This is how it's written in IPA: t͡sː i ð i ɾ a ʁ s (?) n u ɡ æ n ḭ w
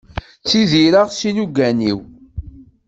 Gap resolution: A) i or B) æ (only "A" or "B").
A